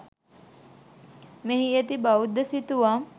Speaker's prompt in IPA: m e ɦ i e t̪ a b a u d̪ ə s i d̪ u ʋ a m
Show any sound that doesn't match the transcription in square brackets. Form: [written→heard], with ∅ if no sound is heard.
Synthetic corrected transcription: m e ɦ i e t̪ [a→i] b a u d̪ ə s i [d̪→t̪] u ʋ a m